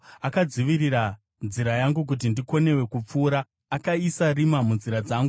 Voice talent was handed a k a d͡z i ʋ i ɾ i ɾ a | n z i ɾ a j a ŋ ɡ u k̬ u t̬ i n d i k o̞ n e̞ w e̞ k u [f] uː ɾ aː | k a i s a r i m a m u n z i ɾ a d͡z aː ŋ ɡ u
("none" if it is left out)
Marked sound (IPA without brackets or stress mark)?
p͡f